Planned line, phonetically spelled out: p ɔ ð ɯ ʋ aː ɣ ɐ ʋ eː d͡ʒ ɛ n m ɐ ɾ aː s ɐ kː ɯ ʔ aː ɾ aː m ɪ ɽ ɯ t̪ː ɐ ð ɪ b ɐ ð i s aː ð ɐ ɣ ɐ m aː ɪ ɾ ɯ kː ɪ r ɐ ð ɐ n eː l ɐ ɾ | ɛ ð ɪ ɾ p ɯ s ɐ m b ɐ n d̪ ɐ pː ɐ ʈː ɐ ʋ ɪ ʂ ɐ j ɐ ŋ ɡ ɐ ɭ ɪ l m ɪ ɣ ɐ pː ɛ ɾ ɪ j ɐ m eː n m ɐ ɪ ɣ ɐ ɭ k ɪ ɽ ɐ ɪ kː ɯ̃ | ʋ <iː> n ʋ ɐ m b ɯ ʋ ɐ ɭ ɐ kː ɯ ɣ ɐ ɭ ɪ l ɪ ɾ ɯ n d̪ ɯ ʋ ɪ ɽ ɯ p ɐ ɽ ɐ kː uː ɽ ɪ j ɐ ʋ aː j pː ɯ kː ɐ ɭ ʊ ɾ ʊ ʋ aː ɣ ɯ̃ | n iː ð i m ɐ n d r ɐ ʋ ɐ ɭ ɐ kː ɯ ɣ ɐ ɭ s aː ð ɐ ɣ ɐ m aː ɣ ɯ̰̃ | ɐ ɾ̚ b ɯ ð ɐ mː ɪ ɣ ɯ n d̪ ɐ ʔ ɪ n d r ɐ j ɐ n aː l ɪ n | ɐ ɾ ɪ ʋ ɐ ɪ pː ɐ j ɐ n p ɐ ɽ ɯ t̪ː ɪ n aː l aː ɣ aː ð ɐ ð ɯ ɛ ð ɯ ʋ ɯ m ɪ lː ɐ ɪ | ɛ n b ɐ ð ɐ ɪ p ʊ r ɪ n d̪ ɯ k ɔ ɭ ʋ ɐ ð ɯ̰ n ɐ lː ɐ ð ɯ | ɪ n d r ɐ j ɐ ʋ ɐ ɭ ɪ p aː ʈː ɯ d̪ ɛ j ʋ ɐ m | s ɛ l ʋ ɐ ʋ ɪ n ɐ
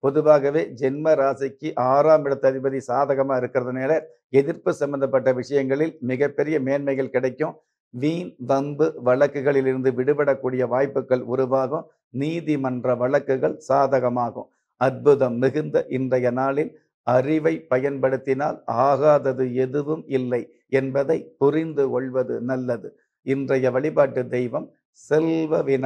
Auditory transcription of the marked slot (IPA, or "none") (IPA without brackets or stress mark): iː